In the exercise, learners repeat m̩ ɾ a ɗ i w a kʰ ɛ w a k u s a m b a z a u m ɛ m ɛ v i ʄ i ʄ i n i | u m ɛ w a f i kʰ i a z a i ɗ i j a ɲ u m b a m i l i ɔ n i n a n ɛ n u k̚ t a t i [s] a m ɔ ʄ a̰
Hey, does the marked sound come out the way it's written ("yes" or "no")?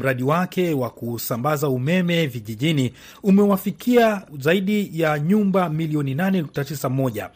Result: yes